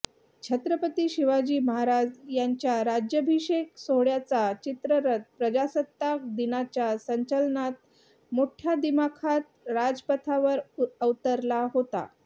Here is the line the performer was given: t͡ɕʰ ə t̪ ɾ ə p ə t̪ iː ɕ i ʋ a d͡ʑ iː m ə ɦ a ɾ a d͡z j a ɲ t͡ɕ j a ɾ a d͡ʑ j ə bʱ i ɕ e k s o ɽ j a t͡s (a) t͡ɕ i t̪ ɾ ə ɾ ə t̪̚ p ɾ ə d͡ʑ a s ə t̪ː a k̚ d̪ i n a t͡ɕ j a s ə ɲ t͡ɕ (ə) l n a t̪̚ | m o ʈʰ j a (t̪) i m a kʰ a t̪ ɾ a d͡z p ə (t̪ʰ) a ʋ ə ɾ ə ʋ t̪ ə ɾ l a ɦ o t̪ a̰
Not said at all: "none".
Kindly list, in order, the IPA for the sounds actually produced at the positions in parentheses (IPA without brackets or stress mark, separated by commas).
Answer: a, ə, d̪, t̪ʰ